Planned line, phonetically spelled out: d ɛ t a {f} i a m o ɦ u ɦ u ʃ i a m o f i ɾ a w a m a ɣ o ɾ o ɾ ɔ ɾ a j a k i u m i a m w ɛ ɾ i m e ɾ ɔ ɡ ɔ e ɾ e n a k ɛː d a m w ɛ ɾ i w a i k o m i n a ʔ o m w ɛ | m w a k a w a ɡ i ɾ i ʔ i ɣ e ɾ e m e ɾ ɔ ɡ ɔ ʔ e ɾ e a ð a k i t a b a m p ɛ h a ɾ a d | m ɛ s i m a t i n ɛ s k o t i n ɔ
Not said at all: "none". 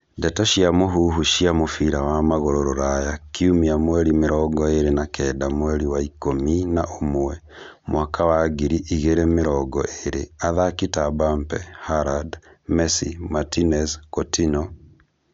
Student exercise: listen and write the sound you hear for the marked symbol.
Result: ʃ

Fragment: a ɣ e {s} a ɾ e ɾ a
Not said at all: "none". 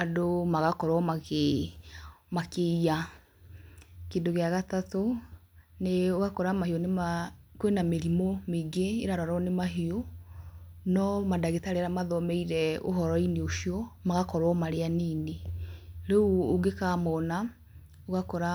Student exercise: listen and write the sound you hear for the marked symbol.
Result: t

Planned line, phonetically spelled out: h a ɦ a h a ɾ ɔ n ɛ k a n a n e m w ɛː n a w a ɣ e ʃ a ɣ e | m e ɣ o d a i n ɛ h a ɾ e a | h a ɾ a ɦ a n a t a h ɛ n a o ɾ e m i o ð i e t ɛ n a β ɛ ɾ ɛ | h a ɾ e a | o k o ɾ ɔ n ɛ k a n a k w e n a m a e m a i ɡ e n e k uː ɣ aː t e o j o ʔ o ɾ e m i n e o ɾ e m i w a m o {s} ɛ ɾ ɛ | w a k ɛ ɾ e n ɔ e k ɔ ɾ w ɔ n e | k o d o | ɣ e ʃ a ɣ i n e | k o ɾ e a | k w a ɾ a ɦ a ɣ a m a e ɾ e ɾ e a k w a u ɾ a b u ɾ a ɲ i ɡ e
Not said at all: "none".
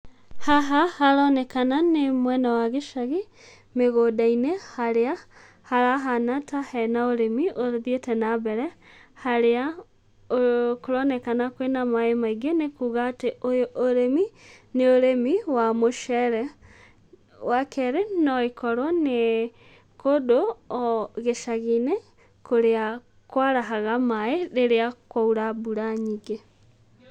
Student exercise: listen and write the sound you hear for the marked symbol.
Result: ʃ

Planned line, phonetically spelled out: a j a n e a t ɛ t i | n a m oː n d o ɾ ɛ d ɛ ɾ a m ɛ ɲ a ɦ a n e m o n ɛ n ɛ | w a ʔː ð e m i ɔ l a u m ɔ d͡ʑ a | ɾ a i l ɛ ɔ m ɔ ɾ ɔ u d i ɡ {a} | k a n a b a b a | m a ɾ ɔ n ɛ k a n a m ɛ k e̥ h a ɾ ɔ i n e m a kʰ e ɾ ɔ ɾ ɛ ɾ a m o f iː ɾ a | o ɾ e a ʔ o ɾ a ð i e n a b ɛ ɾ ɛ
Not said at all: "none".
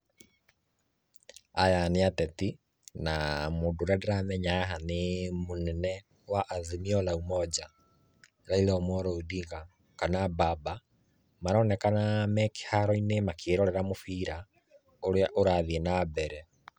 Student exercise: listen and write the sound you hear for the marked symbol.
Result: a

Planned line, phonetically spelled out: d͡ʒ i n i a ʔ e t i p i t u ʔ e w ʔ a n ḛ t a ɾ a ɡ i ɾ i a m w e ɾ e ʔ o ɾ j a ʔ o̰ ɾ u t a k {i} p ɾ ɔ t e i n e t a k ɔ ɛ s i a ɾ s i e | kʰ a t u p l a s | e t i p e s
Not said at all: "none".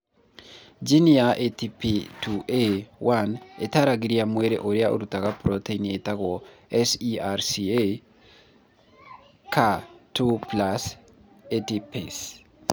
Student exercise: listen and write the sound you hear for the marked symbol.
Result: a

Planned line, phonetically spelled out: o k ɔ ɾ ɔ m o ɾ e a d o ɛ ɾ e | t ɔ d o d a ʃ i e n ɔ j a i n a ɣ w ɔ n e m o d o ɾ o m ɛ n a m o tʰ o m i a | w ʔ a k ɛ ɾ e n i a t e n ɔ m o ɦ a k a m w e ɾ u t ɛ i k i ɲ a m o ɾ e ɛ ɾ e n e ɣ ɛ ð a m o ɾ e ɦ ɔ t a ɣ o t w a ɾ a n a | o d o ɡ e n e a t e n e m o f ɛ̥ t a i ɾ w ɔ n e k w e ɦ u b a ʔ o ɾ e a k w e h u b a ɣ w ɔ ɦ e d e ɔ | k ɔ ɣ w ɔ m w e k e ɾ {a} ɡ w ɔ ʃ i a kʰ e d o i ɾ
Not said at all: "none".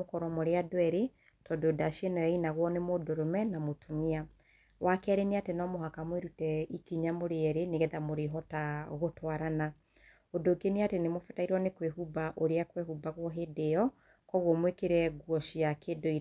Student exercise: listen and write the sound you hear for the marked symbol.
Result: ɛ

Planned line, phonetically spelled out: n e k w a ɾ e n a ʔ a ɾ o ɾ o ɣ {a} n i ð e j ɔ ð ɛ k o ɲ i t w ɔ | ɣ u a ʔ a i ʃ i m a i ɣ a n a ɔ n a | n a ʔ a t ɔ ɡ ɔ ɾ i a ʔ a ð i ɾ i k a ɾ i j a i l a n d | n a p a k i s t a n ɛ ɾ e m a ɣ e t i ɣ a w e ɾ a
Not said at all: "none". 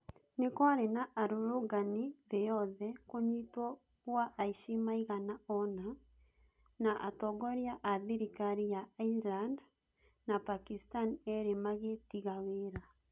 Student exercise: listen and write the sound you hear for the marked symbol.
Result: a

